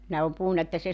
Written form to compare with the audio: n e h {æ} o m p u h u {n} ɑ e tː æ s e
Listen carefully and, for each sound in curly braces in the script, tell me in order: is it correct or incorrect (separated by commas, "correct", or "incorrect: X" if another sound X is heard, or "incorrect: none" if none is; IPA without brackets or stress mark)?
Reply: correct, incorrect: nː